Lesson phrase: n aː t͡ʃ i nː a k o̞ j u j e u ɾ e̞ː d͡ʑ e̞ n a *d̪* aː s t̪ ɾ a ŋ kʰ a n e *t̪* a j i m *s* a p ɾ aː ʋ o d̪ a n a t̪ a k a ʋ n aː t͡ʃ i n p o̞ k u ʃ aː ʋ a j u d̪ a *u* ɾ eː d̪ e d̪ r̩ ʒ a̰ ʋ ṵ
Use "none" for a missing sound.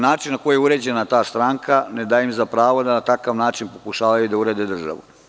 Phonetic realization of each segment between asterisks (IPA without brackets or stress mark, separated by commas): t̪, d̪, z, u